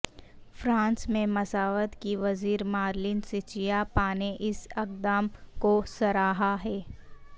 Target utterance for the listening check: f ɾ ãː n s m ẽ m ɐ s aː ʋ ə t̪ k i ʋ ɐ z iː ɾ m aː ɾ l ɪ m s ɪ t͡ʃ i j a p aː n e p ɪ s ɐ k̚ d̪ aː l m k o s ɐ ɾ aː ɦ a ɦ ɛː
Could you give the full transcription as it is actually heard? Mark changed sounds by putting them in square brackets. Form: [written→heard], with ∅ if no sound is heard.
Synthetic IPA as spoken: f ɾ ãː n s m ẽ m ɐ s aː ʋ ə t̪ k i ʋ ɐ z iː ɾ m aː ɾ l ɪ [m→n] s ɪ t͡ʃ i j a p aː n e [p→ʔ] ɪ s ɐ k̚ d̪ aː [l→∅] m k o s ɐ ɾ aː ɦ a ɦ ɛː